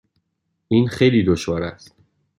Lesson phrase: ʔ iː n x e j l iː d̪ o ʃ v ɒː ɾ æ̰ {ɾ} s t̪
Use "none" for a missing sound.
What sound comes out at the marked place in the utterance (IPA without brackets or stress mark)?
none